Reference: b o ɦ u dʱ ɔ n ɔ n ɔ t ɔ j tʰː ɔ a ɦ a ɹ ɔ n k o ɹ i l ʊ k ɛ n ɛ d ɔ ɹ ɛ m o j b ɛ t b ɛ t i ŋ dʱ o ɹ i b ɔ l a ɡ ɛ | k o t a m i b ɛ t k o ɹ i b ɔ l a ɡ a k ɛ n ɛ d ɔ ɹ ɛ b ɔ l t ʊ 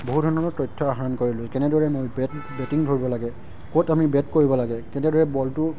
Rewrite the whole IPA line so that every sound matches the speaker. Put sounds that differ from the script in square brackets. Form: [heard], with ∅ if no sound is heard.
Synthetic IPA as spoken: b o ɦ u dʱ ɔ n ɔ n ɔ t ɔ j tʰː ɔ a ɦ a ɹ ɔ n k o ɹ i l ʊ k ɛ n ɛ d ɔ ɹ ɛ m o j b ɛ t b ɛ t i ŋ dʱ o ɹ i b ɔ l a ɡ ɛ | k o t a m i b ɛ t k o ɹ i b ɔ l a ɡ [ɛ] k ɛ n ɛ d ɔ ɹ ɛ b ɔ l t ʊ

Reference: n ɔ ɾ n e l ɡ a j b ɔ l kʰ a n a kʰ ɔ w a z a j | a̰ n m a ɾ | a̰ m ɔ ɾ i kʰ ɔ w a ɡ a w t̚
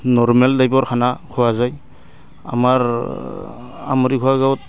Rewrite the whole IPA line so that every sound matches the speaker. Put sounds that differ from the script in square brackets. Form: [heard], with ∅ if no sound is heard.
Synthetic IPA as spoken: n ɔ ɾ [m] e l [d] a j b ɔ [ɾ] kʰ a n a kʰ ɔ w a z a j | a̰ [∅] m a ɾ | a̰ m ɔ ɾ i kʰ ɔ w a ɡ a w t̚

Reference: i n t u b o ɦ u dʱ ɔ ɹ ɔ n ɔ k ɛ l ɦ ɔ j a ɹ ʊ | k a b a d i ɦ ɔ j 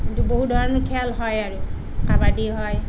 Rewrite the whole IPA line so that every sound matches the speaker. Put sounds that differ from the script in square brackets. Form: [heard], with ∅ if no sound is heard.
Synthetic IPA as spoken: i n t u b o ɦ u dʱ ɔ ɹ ɔ n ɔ [kʰ] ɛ l ɦ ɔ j a ɹ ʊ | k a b a d i ɦ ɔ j

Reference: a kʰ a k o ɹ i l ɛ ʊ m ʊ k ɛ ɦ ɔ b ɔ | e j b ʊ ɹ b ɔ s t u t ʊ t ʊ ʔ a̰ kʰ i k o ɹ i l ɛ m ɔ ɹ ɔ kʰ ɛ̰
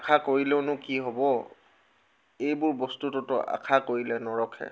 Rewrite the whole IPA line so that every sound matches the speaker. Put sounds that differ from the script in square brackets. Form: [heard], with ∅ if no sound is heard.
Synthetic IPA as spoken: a kʰ a k o ɹ i l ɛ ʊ [n] ʊ k [i] ɦ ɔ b ɔ | e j b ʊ ɹ b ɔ s t u t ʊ t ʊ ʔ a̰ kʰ [a] k o ɹ i l ɛ [n] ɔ ɹ ɔ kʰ ɛ̰

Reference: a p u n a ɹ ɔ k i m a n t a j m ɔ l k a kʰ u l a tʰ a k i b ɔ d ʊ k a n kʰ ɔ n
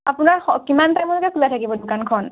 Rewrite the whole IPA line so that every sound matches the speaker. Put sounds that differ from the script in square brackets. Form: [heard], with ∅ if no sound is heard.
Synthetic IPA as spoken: a p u n a ɹ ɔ k i m a n t a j m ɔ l k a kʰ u l a tʰ a k i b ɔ d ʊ k a n kʰ ɔ n

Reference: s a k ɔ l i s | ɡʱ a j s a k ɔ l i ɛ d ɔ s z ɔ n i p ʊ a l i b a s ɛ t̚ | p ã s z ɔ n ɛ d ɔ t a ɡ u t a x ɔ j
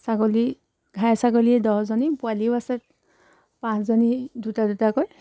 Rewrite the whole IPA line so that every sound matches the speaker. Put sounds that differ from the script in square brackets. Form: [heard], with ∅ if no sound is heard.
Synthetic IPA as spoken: s a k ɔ l i [∅] | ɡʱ a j s a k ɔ l i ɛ d ɔ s z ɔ n i p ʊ a l i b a s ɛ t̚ | p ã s z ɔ n [i] d [u] t a [d] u t a [k] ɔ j

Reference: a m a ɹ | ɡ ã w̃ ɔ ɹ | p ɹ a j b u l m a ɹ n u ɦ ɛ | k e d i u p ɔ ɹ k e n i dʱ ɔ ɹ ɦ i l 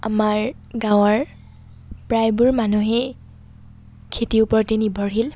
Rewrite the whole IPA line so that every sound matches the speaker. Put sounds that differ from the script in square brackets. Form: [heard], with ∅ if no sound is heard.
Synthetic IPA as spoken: a m a ɹ | ɡ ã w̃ ɔ ɹ | p ɹ a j b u [ɹ] m a [∅] n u ɦ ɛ | [kʰ] e [t] i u p ɔ ɹ [t] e n i [bʱ] ɔ ɹ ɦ i l

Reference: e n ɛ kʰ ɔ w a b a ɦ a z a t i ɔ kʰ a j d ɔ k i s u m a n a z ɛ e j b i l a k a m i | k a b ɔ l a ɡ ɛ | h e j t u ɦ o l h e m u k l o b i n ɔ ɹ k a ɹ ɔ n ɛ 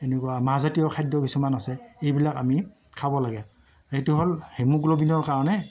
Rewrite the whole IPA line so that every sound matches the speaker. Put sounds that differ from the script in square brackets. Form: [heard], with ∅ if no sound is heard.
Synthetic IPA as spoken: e n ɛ [k] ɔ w a [m] a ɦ a z a t i ɔ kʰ a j d ɔ k i s u m a n a [s] ɛ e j b i l a k a m i | [kʰ] a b ɔ l a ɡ ɛ | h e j t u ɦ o l h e m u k l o b i n ɔ ɹ k a ɹ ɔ n ɛ

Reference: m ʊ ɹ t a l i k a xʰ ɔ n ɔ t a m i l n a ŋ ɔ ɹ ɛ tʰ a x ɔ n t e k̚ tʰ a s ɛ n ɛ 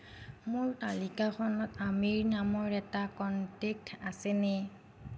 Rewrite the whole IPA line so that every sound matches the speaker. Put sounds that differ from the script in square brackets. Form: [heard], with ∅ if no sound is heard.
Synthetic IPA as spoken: m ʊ ɹ t a l i k a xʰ ɔ n ɔ t a m i [ɹ] n a [m] ɔ ɹ ɛ [t] a [k] ɔ n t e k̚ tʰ a s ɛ n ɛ

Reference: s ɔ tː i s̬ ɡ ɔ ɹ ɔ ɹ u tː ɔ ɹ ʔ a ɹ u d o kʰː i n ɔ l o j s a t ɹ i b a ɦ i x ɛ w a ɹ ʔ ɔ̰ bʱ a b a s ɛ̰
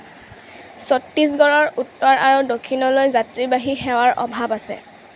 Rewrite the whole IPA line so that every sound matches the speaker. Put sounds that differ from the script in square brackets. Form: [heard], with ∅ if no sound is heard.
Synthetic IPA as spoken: s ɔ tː i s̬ ɡ ɔ ɹ ɔ ɹ u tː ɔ ɹ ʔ a ɹ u d o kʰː i n ɔ l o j [z] a t ɹ i b a ɦ i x ɛ w a ɹ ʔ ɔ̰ bʱ a b a s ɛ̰

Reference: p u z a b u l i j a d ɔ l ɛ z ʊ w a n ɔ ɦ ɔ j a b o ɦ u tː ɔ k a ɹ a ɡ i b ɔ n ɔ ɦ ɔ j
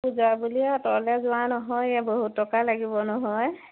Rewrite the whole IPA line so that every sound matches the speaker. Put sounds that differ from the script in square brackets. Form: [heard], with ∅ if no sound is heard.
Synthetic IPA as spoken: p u z a b u l i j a [t] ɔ l ɛ z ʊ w a n ɔ ɦ ɔ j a b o ɦ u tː ɔ k a [l] a ɡ i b ɔ n ɔ ɦ ɔ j

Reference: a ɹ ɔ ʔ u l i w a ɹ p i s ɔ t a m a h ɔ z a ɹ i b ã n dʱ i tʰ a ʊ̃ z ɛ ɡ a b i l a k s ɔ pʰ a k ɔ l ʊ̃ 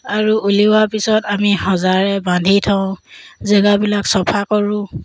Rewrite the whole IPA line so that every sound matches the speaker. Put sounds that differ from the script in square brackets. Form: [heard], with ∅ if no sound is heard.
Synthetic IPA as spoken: a ɹ [u] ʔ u l i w a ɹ p i s ɔ t a m [i] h ɔ z a ɹ [ɛ] b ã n dʱ i tʰ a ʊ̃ z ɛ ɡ a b i l a k s ɔ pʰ a k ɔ [ɹ] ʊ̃

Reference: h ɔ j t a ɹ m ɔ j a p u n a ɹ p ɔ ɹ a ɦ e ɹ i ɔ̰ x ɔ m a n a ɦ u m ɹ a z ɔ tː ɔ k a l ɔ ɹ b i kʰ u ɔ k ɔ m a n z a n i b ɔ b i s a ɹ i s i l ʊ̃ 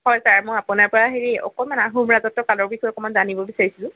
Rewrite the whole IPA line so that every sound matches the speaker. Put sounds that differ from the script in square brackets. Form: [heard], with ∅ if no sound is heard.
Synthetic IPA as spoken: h ɔ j [s] a ɹ m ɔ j a p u n a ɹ p ɔ ɹ a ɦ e ɹ i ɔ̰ [k] ɔ m a n a ɦ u m ɹ a z ɔ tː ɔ k a l ɔ ɹ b i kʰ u ɔ k ɔ m a n z a n i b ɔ b i s a ɹ i s i l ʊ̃

